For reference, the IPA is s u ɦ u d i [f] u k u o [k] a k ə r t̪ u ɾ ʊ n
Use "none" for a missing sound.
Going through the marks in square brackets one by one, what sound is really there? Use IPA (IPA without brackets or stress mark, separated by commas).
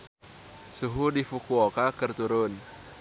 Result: f, k